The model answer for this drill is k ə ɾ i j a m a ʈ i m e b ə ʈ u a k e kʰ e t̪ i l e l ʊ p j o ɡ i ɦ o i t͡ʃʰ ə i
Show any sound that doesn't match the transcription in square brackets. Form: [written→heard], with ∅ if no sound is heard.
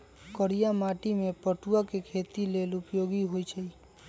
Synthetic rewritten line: k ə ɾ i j a m a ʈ i m e [b→p] ə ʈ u a k e kʰ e t̪ i l e l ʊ p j o ɡ i ɦ o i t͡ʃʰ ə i